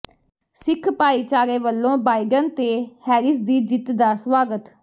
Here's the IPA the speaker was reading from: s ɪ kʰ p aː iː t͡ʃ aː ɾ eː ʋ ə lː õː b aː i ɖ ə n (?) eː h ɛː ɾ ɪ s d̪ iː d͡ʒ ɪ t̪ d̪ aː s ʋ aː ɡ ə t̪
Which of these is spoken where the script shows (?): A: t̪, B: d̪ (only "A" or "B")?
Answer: A